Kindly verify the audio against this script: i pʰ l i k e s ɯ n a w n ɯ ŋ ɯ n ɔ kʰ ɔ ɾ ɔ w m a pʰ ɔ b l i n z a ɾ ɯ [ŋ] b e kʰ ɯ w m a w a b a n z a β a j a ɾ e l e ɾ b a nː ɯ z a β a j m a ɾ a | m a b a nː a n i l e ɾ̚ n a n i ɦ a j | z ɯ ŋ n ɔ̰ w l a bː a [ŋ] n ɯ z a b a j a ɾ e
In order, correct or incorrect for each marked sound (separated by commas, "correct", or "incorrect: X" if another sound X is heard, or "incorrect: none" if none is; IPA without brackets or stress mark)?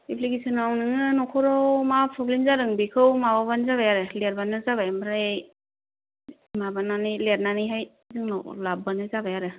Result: correct, incorrect: none